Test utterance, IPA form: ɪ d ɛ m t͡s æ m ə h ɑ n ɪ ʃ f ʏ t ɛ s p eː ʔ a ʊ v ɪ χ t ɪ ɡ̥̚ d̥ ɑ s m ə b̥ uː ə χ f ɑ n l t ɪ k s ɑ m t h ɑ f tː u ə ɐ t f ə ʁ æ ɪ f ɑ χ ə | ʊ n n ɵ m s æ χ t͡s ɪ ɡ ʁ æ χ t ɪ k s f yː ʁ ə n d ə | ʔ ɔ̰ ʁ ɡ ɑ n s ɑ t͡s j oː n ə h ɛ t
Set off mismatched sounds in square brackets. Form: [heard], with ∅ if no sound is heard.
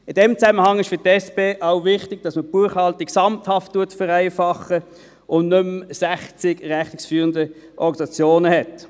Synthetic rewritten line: ɪ d ɛ m t͡s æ m ə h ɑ [ŋ] ɪ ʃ f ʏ t ɛ s p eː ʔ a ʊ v ɪ χ t ɪ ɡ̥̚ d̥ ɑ s m ə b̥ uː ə χ [h] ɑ [∅] l t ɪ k s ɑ m t h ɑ f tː u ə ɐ t f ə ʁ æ ɪ f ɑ χ ə | ʊ n n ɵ m s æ χ t͡s ɪ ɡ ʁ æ χ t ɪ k s f yː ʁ ə n d ə | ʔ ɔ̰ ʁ ɡ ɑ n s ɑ t͡s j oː n ə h ɛ t